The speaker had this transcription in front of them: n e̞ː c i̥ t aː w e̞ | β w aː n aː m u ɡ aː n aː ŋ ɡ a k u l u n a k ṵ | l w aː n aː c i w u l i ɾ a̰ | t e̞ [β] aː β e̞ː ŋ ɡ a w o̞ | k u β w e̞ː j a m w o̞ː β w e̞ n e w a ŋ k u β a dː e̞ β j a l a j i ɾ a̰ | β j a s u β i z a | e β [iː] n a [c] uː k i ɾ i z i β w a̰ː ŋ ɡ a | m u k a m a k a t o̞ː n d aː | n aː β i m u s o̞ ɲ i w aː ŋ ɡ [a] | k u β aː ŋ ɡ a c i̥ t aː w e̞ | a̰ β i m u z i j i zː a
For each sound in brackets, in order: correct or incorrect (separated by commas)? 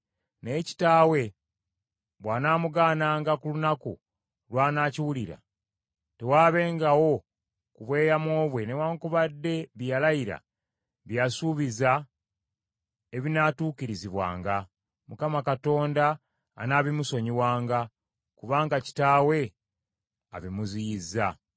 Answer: incorrect, incorrect, incorrect, correct